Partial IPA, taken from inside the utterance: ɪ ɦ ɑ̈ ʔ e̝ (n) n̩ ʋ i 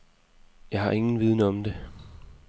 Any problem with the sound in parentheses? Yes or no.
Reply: yes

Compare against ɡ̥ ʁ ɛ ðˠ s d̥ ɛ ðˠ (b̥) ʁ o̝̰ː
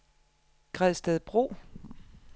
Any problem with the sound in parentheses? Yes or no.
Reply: no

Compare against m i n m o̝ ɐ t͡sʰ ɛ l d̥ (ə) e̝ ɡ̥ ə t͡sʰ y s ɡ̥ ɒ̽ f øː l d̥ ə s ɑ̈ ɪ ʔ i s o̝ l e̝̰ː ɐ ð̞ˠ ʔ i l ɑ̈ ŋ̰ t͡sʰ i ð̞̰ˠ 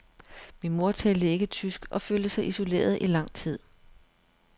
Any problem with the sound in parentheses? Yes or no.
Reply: no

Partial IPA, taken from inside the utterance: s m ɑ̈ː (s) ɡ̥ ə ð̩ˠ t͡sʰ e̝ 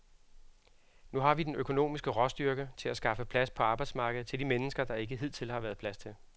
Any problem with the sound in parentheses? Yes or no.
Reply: yes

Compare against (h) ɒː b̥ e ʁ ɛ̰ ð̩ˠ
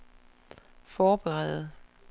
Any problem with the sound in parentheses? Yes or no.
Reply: yes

